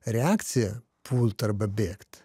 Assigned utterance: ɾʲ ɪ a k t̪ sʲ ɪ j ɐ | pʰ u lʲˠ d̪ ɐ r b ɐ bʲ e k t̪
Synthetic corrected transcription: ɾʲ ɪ a k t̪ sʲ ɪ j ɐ | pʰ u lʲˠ t̪ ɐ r b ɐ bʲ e k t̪

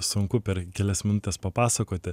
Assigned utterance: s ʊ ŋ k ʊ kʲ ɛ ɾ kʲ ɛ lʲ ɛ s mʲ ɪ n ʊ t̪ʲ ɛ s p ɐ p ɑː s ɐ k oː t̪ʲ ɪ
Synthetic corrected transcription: s ʊ ŋ k ʊ pʲ ɛ ɾ kʲ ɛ lʲ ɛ s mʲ ɪ n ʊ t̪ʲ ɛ s p ɐ p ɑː s ɐ k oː t̪ʲ ɪ

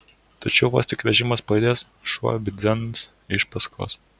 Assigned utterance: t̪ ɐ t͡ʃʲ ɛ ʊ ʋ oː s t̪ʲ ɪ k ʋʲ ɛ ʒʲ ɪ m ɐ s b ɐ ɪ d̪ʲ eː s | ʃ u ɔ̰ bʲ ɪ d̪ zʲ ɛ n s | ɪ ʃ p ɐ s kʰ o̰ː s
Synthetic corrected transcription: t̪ ɐ t͡ʃʲ ɛ ʊ ʋ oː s t̪ʲ ɪ k ʋʲ ɛ ʒʲ ɪ m ɐ s p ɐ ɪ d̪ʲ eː s | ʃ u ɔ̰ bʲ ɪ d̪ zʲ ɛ n s | ɪ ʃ p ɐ s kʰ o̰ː s

